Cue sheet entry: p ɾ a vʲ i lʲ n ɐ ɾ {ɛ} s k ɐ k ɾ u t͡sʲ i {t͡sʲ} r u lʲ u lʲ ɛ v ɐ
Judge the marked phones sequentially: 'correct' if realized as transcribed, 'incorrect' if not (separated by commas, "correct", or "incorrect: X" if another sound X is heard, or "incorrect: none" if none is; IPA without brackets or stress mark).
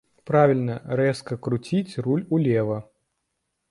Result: correct, correct